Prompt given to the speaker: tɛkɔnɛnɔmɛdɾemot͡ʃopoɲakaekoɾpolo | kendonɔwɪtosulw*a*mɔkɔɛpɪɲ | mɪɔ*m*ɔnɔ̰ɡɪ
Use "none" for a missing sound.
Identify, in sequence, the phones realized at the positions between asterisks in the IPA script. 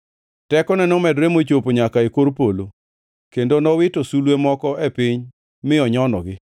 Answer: e, ɲ

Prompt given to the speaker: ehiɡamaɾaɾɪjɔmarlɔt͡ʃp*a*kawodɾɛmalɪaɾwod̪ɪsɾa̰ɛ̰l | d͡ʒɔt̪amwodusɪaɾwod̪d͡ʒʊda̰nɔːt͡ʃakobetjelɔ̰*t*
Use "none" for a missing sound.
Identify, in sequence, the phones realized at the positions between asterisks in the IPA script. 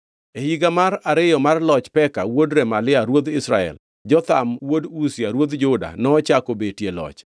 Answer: ɛ, t͡ʃ

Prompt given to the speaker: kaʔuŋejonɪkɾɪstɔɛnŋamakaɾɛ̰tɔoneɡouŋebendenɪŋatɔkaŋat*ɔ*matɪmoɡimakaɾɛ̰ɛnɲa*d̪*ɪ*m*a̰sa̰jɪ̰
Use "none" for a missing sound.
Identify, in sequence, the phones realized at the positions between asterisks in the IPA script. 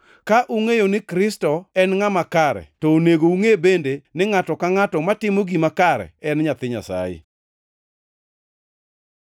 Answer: ɔ, t̪, ɲ

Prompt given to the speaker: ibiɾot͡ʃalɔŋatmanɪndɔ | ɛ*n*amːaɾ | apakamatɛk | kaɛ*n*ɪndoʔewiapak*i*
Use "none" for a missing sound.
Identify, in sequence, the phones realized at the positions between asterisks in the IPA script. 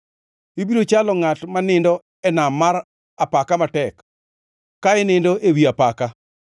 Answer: n, n, a

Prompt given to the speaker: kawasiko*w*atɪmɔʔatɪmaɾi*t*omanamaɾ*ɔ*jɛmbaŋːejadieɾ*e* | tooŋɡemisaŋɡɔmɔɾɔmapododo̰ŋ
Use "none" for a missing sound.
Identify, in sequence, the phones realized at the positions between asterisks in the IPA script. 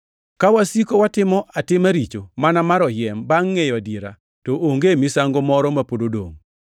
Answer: w, t͡ʃ, ɔ, a

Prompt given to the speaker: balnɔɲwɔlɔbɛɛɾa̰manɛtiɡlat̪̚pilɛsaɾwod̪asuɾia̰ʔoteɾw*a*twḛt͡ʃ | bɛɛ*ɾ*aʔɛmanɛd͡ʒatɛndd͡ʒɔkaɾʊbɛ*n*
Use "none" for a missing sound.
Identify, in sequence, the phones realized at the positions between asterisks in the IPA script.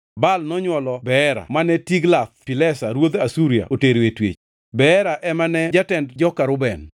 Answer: e, ɾ, n

